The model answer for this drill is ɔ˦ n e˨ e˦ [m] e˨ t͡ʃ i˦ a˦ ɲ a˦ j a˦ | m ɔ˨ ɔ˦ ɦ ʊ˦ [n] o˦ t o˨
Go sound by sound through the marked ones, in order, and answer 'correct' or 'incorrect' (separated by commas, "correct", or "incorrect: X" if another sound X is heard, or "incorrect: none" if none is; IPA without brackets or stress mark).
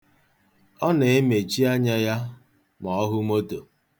correct, incorrect: m